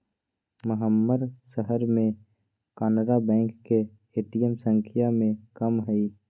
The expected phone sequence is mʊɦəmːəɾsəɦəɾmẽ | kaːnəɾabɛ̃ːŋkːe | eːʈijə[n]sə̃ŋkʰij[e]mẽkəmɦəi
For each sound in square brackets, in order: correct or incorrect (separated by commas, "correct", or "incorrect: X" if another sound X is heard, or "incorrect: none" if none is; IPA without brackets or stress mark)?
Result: incorrect: m, incorrect: a